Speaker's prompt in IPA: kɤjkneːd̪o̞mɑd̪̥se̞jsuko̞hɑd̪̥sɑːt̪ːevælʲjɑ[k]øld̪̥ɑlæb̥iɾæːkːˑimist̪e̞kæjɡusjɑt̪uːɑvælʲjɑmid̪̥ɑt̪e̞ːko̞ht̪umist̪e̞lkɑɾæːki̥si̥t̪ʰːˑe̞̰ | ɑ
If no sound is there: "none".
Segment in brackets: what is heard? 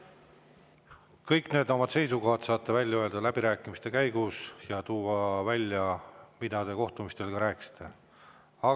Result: none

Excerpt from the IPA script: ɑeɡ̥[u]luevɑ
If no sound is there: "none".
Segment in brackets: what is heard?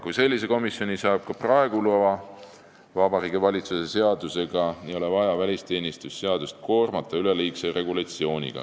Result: u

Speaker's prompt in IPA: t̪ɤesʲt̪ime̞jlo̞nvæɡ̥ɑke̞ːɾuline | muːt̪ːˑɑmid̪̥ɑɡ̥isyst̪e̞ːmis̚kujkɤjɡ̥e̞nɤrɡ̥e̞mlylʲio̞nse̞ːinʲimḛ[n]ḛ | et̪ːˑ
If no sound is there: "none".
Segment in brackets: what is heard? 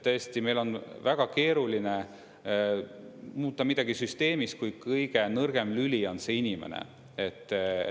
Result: n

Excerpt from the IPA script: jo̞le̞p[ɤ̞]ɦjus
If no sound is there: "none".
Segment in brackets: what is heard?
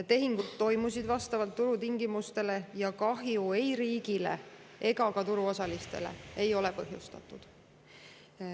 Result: ɤ̞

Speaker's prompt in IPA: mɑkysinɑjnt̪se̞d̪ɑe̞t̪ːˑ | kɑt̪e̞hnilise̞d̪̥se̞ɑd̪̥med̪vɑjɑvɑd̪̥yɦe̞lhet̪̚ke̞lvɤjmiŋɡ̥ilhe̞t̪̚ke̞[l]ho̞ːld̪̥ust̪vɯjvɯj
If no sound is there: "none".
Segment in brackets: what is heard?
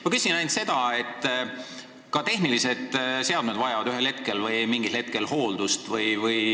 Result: l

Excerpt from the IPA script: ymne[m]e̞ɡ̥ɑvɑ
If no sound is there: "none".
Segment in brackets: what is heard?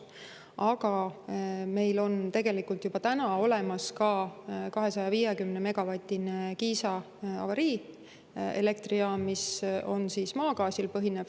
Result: m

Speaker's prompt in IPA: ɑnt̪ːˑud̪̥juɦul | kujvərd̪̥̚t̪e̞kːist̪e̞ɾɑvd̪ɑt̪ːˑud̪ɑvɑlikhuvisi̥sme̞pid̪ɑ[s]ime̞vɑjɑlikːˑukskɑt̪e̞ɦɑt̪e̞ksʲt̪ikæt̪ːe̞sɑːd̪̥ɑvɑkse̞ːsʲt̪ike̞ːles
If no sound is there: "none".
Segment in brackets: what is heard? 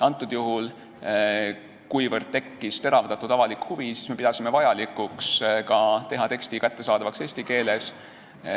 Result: s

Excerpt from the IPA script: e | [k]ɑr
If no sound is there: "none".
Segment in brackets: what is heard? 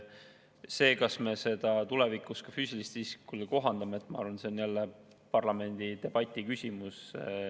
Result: p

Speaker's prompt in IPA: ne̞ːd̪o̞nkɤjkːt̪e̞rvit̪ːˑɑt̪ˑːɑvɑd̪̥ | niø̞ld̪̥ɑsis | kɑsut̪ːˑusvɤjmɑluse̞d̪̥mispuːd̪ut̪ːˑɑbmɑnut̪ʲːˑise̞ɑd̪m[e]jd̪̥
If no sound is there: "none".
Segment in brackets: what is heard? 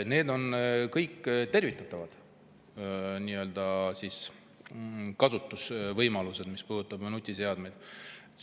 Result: e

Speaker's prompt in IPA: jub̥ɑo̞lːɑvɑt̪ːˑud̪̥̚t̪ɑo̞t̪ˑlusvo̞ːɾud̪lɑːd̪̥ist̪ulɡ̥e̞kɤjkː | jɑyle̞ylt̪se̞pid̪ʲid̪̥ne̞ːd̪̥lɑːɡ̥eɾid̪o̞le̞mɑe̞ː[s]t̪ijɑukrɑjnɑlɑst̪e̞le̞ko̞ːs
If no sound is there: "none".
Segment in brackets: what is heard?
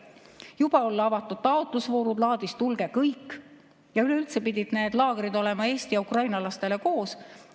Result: s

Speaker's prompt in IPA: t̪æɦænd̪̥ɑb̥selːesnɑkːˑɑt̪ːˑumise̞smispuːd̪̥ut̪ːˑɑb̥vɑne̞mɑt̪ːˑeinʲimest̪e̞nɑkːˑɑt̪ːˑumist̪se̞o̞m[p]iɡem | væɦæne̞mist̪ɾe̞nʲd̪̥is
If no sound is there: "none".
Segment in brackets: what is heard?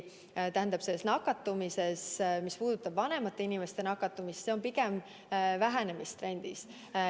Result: p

